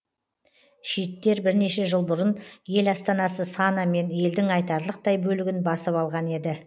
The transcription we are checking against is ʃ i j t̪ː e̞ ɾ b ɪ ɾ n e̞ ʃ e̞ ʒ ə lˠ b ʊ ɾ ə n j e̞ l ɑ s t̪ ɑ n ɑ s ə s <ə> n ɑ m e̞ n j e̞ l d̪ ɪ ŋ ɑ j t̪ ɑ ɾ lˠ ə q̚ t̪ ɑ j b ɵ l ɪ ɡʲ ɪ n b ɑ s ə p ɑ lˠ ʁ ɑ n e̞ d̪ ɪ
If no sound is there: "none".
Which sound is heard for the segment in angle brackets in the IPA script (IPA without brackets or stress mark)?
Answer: ɑ